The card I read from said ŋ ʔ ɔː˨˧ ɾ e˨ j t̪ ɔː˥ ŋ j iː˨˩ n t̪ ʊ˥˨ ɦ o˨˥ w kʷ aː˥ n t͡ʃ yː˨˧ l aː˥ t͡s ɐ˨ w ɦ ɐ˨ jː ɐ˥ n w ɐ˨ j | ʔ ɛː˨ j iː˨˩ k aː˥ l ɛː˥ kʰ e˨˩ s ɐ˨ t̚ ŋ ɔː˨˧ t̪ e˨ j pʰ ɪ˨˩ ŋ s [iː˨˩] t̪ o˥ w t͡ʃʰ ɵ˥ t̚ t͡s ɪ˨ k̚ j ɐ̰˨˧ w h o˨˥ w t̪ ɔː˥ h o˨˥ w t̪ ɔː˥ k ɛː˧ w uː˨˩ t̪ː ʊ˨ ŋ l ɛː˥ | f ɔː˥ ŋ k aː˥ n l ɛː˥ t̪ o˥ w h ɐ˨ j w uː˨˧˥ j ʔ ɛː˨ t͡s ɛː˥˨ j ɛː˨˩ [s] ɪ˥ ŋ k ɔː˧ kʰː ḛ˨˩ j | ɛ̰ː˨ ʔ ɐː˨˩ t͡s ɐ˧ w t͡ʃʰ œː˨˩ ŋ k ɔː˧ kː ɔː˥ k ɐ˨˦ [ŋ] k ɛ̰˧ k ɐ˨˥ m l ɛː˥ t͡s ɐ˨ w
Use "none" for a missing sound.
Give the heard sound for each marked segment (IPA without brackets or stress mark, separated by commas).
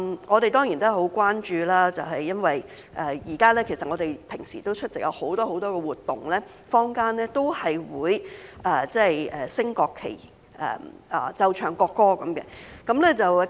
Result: iː˨˩, s, m